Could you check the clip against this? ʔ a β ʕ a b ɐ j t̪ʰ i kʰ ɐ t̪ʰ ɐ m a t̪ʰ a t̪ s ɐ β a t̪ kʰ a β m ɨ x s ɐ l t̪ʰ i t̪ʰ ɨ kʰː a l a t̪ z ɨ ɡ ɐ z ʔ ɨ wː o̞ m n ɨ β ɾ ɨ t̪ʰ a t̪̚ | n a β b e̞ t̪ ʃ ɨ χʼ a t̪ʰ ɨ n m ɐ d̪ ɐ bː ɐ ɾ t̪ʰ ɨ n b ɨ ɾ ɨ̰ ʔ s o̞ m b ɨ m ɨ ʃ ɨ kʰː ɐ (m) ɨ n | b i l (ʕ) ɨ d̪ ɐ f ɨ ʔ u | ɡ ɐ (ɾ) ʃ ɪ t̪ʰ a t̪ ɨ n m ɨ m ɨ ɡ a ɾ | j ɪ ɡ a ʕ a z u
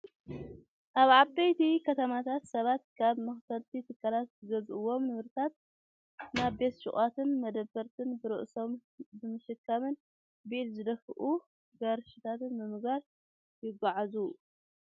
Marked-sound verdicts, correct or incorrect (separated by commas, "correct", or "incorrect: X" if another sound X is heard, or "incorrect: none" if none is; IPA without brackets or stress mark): correct, incorrect: z, correct